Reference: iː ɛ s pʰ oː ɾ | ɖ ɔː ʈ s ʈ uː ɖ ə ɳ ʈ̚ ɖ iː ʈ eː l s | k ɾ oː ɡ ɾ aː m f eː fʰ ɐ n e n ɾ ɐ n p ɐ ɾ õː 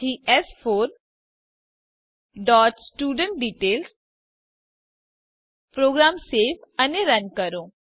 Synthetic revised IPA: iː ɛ s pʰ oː ɾ | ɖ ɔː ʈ s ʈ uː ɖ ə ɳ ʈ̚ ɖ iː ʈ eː l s | p ɾ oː ɡ ɾ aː m s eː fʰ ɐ n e ɾ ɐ n k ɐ ɾ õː